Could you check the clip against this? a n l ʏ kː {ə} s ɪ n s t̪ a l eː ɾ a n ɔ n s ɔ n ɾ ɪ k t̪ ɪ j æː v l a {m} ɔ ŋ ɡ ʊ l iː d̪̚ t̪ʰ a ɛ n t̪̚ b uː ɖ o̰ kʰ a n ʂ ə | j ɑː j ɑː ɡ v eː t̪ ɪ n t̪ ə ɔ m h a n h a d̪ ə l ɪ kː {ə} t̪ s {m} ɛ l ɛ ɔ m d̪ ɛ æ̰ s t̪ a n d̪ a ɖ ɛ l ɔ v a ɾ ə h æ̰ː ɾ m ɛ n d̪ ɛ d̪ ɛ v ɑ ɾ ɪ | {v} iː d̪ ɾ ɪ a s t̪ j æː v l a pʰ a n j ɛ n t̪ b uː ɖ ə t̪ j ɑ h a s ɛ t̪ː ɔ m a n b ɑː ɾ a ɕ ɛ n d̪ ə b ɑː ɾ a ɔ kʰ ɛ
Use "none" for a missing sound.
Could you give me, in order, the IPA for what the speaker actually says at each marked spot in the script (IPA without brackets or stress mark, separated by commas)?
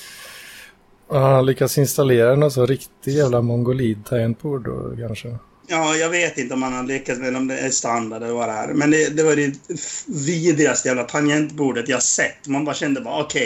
a, m, a, m, v